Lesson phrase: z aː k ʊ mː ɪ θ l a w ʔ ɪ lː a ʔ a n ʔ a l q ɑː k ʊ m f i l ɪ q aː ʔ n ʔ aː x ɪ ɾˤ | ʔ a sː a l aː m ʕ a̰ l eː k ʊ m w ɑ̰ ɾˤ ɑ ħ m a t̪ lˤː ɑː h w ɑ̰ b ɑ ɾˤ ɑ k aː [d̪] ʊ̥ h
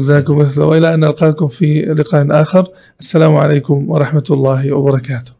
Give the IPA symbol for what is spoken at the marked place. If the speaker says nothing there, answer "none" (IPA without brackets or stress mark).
t̪